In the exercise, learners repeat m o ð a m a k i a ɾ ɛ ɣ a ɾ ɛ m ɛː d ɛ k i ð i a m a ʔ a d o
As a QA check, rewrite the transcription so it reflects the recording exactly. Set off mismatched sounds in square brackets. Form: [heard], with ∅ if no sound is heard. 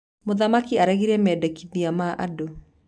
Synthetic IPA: m o ð a m a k i a ɾ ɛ ɣ [i] ɾ ɛ m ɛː d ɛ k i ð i a m a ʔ a d o